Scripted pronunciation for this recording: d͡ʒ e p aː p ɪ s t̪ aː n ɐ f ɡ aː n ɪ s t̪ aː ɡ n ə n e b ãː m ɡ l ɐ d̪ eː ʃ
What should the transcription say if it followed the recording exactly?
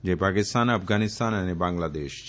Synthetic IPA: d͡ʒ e p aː k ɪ s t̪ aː n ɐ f ɡ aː n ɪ s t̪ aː n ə n e b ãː ŋ ɡ l a d̪ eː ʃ